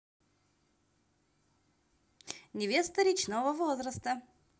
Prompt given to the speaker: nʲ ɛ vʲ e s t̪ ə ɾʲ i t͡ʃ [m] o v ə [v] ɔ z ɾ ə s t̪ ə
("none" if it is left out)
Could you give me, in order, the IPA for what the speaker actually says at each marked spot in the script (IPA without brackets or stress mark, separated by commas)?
n, v